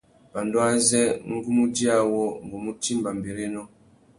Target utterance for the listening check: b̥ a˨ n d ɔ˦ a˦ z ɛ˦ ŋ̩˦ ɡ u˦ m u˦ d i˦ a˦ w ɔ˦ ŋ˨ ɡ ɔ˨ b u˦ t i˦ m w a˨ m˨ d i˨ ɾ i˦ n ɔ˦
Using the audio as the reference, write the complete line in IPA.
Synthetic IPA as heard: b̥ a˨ n d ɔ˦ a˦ z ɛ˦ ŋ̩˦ ɡ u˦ m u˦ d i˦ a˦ w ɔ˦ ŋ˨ ɡ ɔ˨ m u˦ t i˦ m b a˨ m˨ b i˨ ɾ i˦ n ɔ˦